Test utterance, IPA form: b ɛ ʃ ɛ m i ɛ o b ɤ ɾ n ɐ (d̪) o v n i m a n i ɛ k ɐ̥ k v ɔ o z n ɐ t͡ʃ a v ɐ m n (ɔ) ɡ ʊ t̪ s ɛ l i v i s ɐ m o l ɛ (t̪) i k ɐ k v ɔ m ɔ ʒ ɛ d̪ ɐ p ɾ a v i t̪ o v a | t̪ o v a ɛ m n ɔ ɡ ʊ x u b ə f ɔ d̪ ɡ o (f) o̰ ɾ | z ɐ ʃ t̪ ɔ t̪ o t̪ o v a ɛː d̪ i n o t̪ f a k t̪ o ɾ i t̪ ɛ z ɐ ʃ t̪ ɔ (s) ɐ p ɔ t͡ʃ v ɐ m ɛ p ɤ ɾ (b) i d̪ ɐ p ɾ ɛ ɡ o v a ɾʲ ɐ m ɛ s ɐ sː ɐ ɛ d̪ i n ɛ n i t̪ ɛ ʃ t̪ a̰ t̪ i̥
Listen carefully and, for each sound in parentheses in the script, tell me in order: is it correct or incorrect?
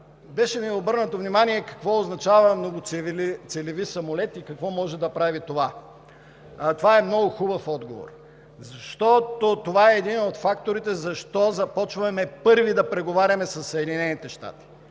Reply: incorrect, incorrect, correct, incorrect, incorrect, incorrect

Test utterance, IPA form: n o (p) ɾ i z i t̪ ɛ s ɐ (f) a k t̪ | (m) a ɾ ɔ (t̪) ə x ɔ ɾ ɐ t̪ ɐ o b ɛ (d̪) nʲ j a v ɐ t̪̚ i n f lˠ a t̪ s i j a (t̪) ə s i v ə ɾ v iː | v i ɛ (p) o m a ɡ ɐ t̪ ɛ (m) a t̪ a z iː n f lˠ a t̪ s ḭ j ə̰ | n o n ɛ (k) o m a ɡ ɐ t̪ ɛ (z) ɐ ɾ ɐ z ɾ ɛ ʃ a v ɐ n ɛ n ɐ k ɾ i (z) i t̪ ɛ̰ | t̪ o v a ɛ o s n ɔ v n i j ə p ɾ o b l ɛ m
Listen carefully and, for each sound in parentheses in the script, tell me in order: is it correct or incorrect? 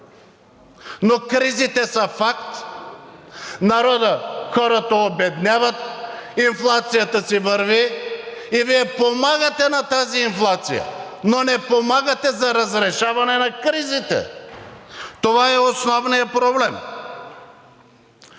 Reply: incorrect, correct, incorrect, incorrect, correct, correct, correct, incorrect, incorrect, correct, correct

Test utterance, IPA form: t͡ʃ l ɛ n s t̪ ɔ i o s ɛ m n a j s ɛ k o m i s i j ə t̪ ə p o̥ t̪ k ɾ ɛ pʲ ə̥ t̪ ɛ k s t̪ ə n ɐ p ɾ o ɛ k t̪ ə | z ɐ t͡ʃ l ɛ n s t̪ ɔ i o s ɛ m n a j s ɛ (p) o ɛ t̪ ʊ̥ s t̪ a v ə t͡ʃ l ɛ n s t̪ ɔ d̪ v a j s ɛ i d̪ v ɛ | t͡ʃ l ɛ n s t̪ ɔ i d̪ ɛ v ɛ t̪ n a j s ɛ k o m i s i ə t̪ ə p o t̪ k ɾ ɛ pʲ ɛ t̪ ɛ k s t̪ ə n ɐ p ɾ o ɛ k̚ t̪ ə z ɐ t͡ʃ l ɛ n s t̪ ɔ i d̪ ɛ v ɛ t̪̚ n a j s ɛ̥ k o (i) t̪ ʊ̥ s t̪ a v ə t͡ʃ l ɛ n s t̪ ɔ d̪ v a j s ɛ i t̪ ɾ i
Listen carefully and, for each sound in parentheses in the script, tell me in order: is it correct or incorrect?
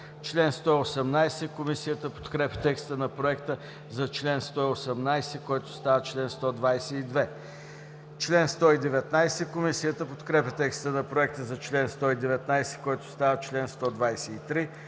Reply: incorrect, incorrect

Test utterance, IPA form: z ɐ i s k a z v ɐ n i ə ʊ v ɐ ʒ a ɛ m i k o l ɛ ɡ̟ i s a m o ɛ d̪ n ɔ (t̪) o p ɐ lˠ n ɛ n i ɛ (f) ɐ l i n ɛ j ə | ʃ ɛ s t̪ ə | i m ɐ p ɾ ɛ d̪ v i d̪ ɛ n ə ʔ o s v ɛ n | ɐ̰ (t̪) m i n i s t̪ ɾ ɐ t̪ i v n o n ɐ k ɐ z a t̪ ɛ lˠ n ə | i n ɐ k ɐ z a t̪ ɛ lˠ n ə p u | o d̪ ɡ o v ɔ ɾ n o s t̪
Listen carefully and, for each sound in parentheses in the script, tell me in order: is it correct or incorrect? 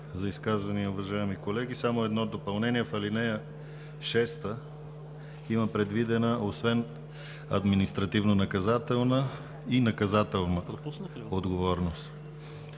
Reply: incorrect, correct, incorrect

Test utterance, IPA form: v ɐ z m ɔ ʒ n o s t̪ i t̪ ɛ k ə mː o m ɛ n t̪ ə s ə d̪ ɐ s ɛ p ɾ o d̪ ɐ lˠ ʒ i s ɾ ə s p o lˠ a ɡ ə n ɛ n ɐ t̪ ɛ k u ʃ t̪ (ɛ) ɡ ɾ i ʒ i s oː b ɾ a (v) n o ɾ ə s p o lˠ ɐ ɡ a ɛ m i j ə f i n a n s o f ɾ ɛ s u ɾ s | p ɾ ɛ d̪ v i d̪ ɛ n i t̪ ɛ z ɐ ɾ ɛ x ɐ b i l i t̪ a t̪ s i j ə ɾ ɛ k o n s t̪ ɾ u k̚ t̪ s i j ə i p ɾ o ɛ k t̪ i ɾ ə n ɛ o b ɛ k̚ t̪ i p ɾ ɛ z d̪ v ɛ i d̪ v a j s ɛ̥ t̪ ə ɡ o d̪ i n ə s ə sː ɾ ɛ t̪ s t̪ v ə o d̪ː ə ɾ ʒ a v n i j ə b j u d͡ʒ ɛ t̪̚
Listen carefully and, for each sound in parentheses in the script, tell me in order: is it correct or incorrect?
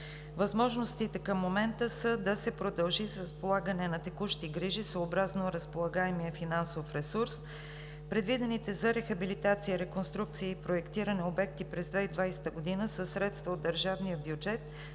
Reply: incorrect, incorrect

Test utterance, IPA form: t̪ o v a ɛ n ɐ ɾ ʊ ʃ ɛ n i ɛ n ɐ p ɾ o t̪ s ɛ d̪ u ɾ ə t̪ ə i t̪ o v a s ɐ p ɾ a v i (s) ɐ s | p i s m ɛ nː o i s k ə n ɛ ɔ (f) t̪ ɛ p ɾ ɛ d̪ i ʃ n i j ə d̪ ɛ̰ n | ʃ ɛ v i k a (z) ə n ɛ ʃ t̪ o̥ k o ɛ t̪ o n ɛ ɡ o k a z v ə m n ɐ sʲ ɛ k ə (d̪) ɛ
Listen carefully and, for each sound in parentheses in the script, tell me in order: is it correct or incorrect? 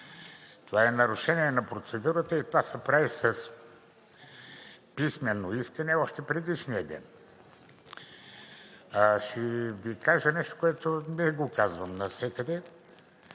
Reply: correct, incorrect, incorrect, correct

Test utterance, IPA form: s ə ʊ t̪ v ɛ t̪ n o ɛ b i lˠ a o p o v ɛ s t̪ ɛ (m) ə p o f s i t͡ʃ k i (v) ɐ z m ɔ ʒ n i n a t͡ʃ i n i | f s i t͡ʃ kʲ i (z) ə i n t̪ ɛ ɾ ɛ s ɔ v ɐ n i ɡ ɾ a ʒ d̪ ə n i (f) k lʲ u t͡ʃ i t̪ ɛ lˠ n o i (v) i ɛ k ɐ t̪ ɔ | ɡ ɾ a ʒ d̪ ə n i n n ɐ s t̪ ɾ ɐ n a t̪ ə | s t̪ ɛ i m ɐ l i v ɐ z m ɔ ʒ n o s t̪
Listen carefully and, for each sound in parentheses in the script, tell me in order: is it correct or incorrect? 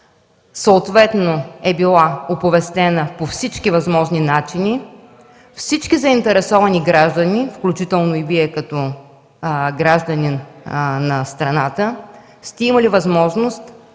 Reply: incorrect, correct, correct, correct, correct

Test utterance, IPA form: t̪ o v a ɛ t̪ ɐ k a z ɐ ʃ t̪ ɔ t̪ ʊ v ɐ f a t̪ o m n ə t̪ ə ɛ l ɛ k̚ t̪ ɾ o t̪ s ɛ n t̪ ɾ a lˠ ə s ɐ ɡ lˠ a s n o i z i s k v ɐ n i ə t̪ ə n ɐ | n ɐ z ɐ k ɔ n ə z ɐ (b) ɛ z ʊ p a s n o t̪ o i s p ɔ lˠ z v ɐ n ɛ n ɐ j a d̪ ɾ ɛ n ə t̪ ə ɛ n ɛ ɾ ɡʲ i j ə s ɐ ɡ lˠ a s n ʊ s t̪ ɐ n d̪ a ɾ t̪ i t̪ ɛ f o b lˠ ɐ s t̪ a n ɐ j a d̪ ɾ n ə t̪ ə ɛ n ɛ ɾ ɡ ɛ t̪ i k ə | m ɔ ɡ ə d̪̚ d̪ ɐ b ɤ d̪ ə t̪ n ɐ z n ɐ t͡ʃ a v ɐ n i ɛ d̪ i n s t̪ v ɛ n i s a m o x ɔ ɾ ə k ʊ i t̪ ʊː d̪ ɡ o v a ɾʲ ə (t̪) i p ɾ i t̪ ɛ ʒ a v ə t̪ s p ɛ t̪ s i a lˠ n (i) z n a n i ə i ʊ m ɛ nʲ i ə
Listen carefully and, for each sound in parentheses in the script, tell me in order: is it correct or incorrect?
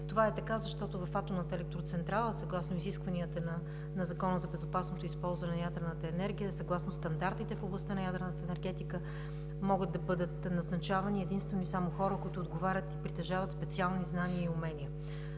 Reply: correct, correct, correct

